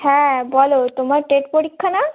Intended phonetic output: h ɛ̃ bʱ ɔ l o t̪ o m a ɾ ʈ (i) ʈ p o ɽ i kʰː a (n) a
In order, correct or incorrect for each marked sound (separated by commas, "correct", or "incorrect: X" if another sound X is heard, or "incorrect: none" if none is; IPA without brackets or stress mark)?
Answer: incorrect: e, correct